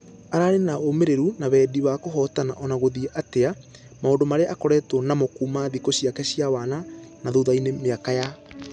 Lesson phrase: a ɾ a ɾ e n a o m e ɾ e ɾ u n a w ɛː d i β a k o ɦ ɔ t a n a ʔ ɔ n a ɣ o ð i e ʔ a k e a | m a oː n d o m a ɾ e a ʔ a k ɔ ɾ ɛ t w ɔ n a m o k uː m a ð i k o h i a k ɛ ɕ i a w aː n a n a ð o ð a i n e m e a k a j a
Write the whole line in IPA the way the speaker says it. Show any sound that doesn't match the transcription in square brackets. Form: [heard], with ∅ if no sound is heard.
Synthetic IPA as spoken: a ɾ a ɾ e n a o m e ɾ e ɾ u n a [β] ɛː d i β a k o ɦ ɔ t a n a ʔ ɔ n a ɣ o ð i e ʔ a [t] e a | m a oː n d o m a ɾ e a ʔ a k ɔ ɾ ɛ t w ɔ n a m o k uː m a ð i k o [ɕ] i a k ɛ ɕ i a w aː n a n a ð o ð a i n e m e a k a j a